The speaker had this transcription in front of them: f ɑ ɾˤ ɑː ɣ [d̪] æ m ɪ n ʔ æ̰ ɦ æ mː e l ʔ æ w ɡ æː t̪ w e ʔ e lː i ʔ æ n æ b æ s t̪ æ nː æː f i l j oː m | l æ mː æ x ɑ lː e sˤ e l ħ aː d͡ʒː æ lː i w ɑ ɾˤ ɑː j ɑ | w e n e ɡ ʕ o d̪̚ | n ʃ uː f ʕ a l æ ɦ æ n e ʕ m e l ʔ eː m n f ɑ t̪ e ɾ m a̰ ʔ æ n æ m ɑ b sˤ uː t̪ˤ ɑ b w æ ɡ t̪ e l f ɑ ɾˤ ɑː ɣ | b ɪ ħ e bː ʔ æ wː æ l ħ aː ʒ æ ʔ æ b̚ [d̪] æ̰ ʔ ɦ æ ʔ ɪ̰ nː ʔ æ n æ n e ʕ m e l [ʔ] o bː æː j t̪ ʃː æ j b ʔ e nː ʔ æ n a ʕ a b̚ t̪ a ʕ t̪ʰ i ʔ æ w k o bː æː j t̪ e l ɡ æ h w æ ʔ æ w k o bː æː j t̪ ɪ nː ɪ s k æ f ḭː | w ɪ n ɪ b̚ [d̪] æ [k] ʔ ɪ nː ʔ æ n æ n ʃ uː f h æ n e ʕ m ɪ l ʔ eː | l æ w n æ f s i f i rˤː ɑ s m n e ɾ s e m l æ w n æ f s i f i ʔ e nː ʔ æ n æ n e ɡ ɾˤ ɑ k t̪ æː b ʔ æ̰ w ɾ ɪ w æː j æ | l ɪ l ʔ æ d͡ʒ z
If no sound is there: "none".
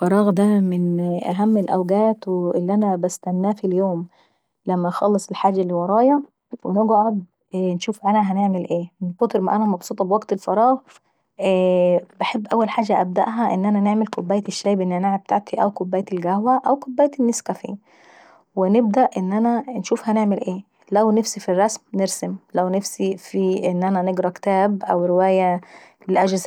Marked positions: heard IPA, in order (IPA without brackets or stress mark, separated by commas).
d̪, d̪, k, d̪, ʔ